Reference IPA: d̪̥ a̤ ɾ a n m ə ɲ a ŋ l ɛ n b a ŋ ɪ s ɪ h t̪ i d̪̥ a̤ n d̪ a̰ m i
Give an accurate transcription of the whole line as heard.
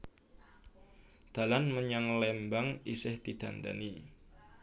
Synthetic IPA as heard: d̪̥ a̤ l a n m ə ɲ a ŋ l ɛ m b a ŋ i s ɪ h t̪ i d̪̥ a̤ n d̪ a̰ n i